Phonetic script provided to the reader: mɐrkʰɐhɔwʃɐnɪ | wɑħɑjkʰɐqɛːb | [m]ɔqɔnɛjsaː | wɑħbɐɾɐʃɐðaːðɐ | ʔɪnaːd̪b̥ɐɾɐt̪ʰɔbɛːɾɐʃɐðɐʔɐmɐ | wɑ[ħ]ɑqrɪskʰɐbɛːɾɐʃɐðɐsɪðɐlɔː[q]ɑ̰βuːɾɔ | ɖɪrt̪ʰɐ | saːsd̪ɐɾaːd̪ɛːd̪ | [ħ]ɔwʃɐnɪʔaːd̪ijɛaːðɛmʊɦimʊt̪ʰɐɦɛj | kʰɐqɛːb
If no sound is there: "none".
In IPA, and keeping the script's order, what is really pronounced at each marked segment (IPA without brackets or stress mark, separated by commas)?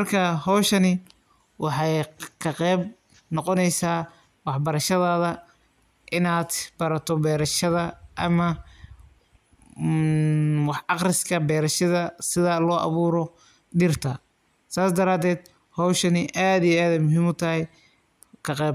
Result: n, ħ, ʔ, h